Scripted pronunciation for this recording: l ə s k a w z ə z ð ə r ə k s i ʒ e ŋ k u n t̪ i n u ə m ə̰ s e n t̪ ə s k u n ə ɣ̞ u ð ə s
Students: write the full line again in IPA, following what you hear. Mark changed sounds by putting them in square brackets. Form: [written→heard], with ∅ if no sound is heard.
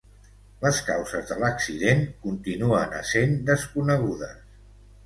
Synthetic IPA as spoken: l ə s k a w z ə z ð ə [r→l] ə k s i [ʒ→ð] e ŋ k u n t̪ i n u ə [m→n] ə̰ s e n [t̪→d̪] ə s k u n ə ɣ̞ u ð ə s